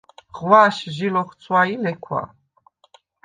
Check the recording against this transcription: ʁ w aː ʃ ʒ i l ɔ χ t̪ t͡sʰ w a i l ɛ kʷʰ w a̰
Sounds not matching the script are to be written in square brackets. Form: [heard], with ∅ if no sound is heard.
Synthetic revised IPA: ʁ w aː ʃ ʒ i l ɔ χ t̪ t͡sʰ w a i l ɛ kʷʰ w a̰